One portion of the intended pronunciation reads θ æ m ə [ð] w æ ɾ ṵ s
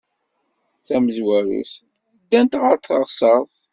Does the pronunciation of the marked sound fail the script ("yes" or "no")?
yes